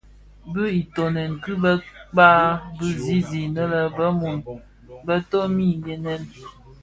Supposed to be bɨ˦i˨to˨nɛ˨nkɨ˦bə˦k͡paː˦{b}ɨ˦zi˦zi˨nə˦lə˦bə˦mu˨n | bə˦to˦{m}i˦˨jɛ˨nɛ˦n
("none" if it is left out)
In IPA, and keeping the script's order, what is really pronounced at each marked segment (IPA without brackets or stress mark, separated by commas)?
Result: b, m